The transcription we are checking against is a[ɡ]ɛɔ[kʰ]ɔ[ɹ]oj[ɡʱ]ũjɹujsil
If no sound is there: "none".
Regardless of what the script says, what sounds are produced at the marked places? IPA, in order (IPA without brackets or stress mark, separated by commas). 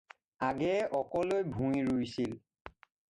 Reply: ɡ, k, l, bʱ